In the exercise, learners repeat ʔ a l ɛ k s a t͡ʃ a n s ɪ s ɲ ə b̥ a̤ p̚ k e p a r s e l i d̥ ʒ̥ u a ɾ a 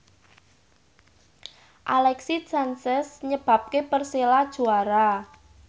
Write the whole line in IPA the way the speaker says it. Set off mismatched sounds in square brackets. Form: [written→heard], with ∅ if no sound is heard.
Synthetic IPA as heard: ʔ a l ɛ k s [a→i] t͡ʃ a n s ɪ s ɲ ə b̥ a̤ p̚ k e p [a→ə] r s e l [i→a] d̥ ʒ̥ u a ɾ a

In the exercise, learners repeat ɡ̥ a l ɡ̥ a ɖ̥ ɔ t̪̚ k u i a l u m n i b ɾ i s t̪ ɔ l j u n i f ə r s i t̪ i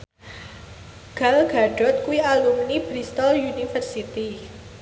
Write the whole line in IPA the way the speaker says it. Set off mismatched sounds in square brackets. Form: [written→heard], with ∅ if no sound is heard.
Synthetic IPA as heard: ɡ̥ a l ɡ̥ a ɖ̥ ɔ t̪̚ k u i a l u m n i b ɾ i s t̪ ɔ l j u n i f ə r s i t̪ i

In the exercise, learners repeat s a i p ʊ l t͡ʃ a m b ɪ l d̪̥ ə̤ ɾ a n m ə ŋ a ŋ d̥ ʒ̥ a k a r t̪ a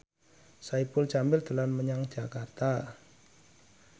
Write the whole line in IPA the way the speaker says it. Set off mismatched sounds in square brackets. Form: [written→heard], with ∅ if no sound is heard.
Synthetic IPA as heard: s a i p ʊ l t͡ʃ a m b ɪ l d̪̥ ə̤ [ɾ→l] a n m ə [ŋ→ɲ] a ŋ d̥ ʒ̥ a k a r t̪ a

